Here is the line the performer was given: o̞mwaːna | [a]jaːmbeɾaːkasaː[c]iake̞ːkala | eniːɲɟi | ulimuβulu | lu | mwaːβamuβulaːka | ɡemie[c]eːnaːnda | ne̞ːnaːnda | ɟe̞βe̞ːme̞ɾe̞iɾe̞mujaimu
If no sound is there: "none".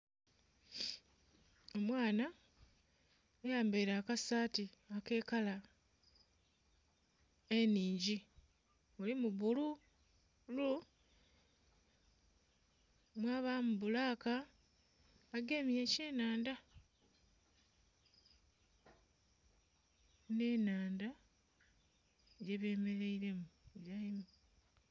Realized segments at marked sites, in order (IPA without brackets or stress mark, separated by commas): e, t, c